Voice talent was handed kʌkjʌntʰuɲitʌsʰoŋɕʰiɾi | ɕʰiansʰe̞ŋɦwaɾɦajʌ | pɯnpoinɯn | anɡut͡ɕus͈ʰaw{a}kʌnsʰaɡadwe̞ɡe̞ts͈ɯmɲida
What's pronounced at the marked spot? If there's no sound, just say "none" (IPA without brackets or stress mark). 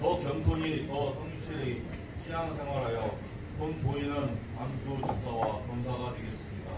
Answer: a